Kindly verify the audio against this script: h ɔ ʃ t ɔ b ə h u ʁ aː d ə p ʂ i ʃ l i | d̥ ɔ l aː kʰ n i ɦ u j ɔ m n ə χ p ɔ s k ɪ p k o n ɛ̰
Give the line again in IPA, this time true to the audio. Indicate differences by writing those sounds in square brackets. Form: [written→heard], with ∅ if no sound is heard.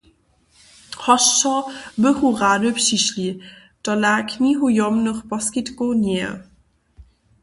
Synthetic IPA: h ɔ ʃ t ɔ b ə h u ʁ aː d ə p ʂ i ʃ l i | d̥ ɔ l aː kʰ n i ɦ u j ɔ m n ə χ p ɔ s k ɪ [p→t] k o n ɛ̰